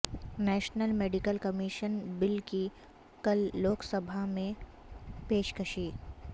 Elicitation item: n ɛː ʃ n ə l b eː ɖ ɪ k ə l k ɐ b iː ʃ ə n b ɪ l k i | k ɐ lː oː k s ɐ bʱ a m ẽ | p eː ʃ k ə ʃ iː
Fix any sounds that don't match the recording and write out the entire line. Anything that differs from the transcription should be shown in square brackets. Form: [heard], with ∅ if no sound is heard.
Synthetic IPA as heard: n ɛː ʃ n ə l [m] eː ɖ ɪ k ə l k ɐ [m] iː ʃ ə n b ɪ l k i | k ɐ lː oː k s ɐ bʱ a m ẽ | p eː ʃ k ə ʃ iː